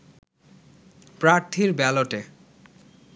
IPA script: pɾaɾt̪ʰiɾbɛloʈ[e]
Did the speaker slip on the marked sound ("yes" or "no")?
no